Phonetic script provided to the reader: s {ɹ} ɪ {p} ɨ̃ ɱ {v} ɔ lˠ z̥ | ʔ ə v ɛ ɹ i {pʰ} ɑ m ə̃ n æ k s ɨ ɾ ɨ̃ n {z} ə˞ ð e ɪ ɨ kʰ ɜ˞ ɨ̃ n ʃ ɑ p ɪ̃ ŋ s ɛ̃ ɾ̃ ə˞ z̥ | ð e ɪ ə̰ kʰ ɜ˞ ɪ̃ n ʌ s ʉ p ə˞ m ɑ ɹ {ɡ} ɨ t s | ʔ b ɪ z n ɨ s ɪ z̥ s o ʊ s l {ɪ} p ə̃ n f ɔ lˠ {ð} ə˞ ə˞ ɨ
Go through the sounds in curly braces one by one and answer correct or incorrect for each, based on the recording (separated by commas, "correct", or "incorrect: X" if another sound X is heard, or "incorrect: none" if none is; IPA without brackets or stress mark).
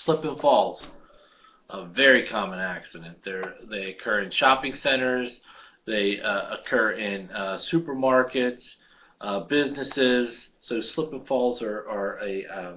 incorrect: l, correct, incorrect: f, incorrect: kʰ, incorrect: ð, incorrect: k, correct, incorrect: z